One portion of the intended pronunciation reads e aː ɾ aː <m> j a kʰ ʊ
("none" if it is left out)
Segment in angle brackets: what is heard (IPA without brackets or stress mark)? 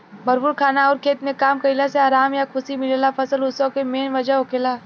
m